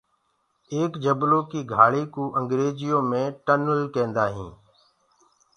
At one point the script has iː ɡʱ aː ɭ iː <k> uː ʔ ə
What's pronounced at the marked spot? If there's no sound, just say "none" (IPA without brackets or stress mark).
k